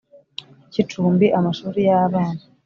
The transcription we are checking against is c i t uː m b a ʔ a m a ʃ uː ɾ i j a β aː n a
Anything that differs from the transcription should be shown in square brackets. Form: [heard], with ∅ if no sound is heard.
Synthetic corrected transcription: c i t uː m b [i] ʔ a m a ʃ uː ɾ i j a β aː n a